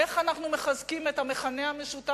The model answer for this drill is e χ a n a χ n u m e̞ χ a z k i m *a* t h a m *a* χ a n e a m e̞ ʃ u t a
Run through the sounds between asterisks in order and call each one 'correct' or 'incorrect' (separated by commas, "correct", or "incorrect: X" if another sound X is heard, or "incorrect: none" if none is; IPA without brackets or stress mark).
incorrect: e, incorrect: e